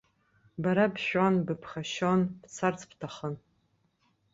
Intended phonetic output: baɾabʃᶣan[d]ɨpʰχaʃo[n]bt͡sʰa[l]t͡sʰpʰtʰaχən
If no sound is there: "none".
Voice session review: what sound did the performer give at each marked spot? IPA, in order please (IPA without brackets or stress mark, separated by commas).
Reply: b, n, r